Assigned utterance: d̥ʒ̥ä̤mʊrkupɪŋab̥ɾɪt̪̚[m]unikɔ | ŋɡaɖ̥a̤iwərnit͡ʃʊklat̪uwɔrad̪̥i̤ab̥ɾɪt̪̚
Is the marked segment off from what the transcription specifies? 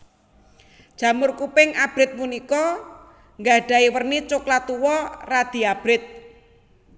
no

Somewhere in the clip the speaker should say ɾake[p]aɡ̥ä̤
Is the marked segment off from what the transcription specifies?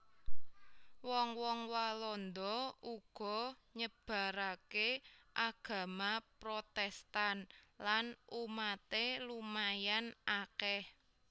yes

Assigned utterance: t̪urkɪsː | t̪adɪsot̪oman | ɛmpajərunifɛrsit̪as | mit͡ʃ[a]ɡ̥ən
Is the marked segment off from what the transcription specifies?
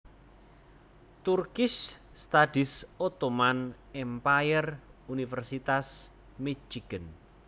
yes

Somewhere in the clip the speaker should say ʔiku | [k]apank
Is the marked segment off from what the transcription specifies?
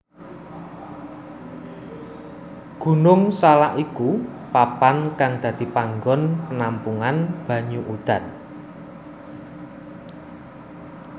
yes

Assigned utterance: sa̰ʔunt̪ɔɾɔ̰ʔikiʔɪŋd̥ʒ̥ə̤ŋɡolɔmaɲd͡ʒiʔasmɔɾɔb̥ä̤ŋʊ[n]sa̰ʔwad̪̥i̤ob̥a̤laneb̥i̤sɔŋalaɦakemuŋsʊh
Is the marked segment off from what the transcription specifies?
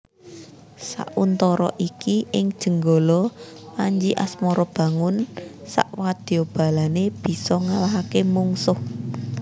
no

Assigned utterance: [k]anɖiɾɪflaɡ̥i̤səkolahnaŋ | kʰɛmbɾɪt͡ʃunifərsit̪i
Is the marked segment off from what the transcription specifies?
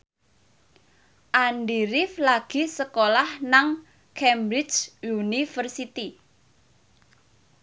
yes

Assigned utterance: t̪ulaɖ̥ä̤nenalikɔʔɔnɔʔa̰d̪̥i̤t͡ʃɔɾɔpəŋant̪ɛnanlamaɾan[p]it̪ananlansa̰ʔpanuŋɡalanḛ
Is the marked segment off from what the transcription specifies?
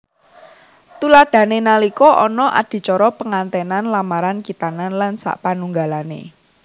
yes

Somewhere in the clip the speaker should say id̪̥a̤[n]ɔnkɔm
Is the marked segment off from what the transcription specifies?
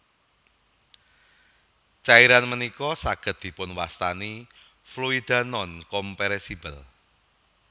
no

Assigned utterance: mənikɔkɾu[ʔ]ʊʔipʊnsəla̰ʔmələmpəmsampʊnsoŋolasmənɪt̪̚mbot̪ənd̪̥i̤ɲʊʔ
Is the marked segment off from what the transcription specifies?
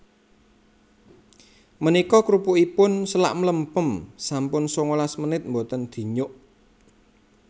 yes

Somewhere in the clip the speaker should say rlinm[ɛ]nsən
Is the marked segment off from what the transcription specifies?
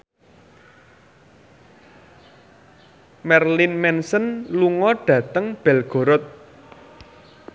no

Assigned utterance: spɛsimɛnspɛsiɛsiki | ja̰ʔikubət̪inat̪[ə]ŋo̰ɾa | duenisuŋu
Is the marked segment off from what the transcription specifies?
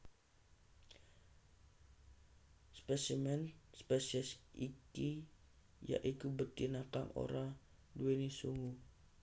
yes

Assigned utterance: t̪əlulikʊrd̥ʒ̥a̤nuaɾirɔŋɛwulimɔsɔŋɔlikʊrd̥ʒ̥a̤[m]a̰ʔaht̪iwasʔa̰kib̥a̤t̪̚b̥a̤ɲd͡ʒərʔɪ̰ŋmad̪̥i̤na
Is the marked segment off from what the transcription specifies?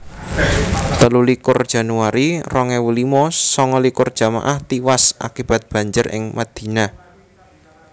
no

